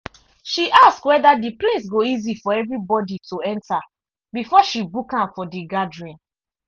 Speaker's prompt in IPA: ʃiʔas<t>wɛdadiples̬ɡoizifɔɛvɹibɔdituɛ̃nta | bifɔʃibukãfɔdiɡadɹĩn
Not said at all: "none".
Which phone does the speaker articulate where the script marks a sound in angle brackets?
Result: k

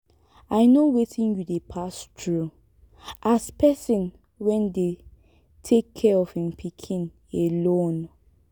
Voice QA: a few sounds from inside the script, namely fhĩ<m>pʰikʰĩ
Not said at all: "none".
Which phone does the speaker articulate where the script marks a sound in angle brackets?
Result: m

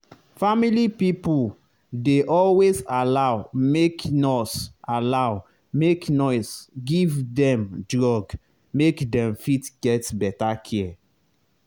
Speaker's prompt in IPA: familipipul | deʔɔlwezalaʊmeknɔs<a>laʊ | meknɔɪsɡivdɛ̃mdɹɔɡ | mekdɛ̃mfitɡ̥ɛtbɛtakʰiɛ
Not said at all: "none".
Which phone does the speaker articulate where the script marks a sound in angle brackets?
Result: a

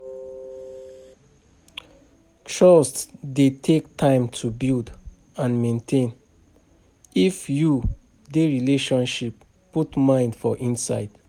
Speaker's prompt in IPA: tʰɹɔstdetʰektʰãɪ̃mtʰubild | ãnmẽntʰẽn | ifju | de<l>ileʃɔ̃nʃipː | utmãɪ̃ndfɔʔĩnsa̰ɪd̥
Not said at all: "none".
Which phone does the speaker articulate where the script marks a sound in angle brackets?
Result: ɹ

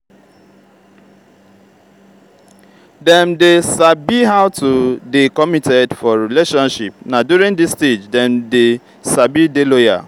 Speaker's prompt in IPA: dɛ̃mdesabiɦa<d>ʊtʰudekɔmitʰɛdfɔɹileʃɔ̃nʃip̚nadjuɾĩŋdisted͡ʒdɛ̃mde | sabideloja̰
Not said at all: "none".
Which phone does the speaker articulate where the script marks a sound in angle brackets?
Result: none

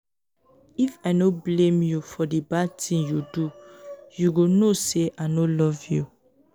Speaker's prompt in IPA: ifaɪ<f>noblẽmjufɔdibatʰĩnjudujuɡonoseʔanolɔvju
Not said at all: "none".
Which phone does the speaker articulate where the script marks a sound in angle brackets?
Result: none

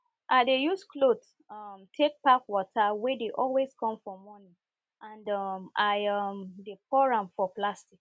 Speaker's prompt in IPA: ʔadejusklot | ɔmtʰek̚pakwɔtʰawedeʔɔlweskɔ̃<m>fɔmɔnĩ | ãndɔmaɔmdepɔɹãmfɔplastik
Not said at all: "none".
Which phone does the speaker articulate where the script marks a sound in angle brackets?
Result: m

